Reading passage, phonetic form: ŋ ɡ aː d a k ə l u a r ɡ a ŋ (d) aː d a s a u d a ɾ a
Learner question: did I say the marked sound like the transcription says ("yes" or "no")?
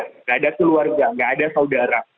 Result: no